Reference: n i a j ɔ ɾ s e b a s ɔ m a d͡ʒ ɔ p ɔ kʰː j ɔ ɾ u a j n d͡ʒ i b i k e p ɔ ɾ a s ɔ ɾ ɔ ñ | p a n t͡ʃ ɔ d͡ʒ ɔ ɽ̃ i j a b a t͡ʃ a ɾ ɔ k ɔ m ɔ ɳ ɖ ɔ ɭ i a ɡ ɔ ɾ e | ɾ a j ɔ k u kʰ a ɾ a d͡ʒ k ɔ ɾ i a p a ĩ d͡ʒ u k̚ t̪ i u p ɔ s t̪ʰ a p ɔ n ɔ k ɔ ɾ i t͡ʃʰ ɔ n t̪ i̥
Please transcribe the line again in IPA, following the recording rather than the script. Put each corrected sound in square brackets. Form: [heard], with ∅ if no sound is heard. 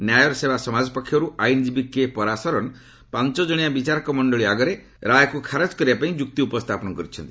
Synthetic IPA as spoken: n [j] a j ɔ ɾ s e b a s ɔ m a d͡ʒ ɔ p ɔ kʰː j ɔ ɾ u a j n d͡ʒ i b i k e p ɔ ɾ a s ɔ ɾ ɔ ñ | p a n t͡ʃ ɔ d͡ʒ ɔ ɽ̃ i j a b [i] t͡ʃ a ɾ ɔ k ɔ m ɔ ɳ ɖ ɔ ɭ i a ɡ ɔ ɾ e | ɾ a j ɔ k u kʰ a ɾ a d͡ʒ k ɔ ɾ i a p a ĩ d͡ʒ u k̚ t̪ i u p ɔ s t̪ʰ a p ɔ n ɔ k ɔ ɾ i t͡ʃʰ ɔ n t̪ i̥

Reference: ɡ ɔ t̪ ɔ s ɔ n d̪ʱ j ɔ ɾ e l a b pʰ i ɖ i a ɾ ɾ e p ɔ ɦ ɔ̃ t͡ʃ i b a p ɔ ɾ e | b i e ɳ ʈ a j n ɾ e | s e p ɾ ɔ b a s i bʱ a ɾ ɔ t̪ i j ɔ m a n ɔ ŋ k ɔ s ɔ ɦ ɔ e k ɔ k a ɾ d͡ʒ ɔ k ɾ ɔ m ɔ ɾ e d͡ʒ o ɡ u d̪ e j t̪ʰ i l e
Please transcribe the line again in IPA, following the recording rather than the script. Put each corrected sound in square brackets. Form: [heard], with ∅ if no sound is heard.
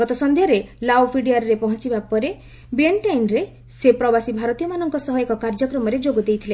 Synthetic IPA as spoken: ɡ ɔ t̪ ɔ s ɔ n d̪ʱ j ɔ ɾ e l a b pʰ i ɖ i a ɾ ɾ e p ɔ ɦ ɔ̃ t͡ʃ i b a p ɔ ɾ e | b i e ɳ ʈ a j n ɾ e | s e p ɾ ɔ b a s i bʱ a ɾ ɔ t̪ i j ɔ m a n ɔ ŋ k ɔ s ɔ ɦ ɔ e k ɔ k a ɾ d͡ʒ ɔ k ɾ ɔ m ɔ ɾ e d͡ʒ o ɡ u d̪ e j t̪ʰ i l e

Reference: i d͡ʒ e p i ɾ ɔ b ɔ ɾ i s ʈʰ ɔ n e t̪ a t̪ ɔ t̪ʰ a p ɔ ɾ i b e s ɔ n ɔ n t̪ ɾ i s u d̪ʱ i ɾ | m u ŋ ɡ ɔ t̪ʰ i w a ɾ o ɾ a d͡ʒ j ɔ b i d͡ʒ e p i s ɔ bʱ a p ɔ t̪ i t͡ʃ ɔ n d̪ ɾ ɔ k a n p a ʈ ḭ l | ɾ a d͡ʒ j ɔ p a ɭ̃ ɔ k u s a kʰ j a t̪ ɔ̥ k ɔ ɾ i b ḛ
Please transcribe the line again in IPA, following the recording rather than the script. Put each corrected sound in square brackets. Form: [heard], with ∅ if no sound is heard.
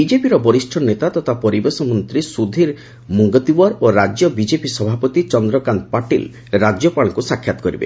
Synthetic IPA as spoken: i d͡ʒ e p i ɾ ɔ b ɔ ɾ i s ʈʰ ɔ n e t̪ a t̪ ɔ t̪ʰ a p ɔ ɾ i b e s ɔ [m] ɔ n t̪ ɾ i s u d̪ʱ i ɾ | m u ŋ ɡ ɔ [t̪] i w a ɾ o ɾ a d͡ʒ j ɔ b i d͡ʒ e p i s ɔ bʱ a p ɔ t̪ i t͡ʃ ɔ n d̪ ɾ ɔ k a n p a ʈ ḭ l | ɾ a d͡ʒ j ɔ p a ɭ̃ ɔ k u s a kʰ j a t̪ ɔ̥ k ɔ ɾ i b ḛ

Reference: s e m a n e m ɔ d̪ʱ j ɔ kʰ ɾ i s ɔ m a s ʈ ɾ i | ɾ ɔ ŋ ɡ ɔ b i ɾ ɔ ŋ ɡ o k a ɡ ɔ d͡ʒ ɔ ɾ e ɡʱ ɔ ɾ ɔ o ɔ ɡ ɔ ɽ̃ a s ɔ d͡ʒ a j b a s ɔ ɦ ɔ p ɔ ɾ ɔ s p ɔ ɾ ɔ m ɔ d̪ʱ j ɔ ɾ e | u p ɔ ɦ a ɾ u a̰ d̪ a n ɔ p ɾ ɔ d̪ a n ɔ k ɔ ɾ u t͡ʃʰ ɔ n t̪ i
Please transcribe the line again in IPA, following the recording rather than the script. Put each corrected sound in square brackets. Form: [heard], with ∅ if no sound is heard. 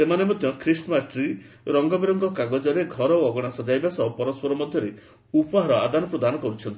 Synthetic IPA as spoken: s e m a n e m ɔ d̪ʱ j ɔ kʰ ɾ i s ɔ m a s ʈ ɾ i | ɾ ɔ ŋ ɡ ɔ b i ɾ ɔ ŋ ɡ [ɔ] k a ɡ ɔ d͡ʒ ɔ ɾ e ɡʱ ɔ ɾ ɔ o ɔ ɡ ɔ ɽ̃ a s ɔ d͡ʒ a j b a s ɔ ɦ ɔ p ɔ ɾ ɔ s p ɔ ɾ ɔ m ɔ d̪ʱ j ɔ ɾ e | u p ɔ ɦ a ɾ [ɔ] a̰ d̪ a n ɔ p ɾ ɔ d̪ a n ɔ k ɔ ɾ u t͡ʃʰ ɔ n t̪ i

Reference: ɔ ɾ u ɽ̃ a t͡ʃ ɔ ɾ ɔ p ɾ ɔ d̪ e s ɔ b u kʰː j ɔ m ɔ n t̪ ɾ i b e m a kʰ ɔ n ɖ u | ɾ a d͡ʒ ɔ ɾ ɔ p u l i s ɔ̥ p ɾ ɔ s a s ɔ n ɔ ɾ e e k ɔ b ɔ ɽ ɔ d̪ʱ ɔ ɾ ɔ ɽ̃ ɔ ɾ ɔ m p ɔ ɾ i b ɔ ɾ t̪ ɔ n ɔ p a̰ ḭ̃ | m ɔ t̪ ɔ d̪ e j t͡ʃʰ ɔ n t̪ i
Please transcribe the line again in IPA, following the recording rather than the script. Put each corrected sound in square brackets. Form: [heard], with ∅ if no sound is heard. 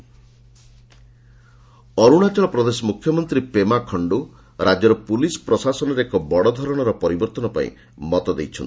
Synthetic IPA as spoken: ɔ ɾ u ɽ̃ a t͡ʃ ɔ [ɭ] ɔ p ɾ ɔ d̪ e s ɔ [m] u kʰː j ɔ m ɔ n t̪ ɾ i [p] e m a kʰ ɔ [ɳ] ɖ u | ɾ a d͡ʒ ɔ ɾ ɔ p u l i s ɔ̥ p ɾ ɔ s a s ɔ n ɔ ɾ e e k ɔ b ɔ ɽ ɔ d̪ʱ ɔ ɾ ɔ ɽ̃ ɔ ɾ ɔ [∅] p ɔ ɾ i b ɔ ɾ t̪ ɔ n ɔ p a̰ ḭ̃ | m ɔ t̪ ɔ d̪ e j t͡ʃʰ ɔ n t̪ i

